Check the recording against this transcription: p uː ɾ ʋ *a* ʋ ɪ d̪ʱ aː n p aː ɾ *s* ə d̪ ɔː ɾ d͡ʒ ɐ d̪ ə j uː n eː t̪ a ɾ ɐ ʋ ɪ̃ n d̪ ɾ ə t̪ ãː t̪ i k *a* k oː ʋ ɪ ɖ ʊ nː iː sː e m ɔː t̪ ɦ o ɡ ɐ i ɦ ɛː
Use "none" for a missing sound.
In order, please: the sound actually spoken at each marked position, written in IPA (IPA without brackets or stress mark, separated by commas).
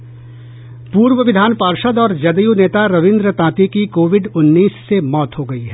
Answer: ə, ʃ, i